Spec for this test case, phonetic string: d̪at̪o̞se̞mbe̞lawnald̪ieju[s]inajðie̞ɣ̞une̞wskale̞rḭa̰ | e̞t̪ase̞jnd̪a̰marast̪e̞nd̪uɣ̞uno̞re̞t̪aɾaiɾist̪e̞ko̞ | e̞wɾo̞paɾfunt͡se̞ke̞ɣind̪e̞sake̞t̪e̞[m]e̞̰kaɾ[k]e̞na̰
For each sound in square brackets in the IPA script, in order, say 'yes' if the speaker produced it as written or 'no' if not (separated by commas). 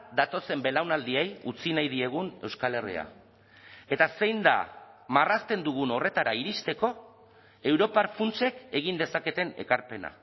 no, no, no